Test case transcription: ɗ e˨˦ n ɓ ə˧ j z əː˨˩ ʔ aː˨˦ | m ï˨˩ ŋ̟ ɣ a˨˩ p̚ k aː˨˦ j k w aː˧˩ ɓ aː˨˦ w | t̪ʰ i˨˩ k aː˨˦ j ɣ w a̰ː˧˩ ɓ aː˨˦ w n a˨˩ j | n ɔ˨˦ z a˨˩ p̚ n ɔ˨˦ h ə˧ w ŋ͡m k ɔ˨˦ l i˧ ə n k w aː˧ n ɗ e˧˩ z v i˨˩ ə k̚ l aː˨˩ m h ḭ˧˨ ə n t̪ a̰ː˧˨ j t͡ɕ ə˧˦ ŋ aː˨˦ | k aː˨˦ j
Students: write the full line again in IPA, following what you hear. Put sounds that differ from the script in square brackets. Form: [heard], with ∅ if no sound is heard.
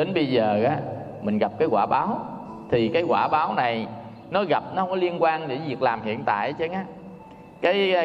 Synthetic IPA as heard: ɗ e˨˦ n ɓ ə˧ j z əː˨˩ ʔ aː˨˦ | m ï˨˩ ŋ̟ ɣ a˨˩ p̚ k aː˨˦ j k w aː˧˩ ɓ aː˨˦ w | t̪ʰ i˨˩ k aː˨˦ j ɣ w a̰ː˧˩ ɓ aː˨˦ w n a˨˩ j | n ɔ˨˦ [ɣ] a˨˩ p̚ n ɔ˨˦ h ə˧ w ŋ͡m k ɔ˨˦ l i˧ ə n k w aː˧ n ɗ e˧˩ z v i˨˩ ə k̚ l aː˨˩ m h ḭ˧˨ ə n t̪ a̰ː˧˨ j t͡ɕ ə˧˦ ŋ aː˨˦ | k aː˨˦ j